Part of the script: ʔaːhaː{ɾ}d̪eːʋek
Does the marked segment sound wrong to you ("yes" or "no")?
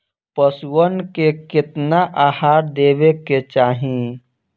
no